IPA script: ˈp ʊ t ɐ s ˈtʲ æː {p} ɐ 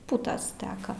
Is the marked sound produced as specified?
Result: no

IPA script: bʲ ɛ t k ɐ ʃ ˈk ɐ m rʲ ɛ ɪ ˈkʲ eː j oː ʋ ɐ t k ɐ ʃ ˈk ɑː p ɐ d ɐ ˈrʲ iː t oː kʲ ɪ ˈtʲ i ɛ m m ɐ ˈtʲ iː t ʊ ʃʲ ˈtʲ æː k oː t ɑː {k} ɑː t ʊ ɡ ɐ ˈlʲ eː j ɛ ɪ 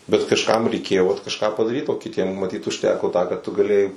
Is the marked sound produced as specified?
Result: yes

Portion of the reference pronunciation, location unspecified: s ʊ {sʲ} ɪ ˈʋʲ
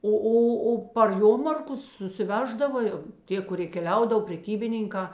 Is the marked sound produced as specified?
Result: yes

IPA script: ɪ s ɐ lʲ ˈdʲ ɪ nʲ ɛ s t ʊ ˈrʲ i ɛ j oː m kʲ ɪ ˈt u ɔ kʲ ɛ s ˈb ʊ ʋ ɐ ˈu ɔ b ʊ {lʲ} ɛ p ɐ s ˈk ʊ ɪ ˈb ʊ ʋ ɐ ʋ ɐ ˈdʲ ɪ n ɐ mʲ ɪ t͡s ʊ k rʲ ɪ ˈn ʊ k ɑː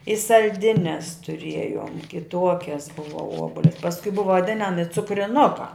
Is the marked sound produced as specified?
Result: yes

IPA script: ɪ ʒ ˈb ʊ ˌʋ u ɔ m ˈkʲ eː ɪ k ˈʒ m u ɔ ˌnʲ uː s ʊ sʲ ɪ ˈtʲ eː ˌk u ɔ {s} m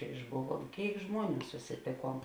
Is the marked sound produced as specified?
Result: no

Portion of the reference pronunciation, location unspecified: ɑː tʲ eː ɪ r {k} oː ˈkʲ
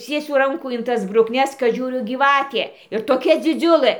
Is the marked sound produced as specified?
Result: no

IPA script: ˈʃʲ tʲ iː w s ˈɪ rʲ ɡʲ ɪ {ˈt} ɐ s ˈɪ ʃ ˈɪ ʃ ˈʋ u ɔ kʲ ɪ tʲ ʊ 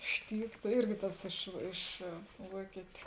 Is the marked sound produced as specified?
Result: yes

